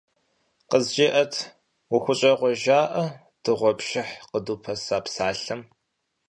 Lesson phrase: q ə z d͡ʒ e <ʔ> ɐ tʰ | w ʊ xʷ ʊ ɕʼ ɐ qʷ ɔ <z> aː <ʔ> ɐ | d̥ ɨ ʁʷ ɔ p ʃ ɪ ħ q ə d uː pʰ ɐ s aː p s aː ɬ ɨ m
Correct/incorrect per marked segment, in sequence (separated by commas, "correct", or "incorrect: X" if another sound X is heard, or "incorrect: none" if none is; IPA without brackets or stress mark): correct, incorrect: ʒ, correct